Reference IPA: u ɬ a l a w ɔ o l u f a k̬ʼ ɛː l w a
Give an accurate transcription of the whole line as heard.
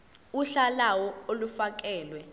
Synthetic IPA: u ɬ a l a w ɔ o l u f a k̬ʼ ɛː l w ɛ